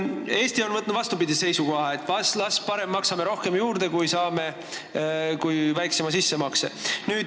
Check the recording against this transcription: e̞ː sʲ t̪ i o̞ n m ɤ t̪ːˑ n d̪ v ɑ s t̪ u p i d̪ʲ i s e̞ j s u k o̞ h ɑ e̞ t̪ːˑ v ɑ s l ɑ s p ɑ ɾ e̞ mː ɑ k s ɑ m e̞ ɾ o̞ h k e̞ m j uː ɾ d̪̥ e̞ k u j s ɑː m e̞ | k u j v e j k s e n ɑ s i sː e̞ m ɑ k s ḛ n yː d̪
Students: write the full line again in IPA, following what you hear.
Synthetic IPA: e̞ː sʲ t̪ i o̞ n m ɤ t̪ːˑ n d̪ v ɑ s t̪ u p i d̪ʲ i s e̞ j s u k o̞ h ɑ e̞ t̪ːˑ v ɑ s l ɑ s p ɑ ɾ e̞ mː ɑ k s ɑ m e̞ ɾ o̞ h k e̞ m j uː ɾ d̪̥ e̞ k u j s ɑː m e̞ | k u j v æ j k s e m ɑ s i sː e̞ m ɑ k s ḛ n yː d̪